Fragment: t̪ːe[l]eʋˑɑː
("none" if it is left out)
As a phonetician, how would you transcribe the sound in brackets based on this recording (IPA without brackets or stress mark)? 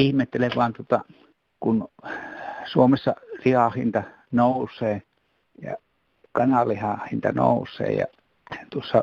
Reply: l